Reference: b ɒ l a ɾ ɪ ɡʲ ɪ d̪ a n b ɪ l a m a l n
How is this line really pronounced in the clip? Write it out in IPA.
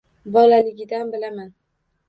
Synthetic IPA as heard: b ɒ l a l ɪ ɡʲ ɪ d̪ a n b ɪ l a m a n